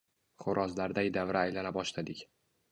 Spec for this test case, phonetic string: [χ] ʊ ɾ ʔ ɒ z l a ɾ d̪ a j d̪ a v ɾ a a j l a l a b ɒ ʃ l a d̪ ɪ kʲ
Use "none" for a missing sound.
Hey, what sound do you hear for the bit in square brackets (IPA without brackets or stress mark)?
χ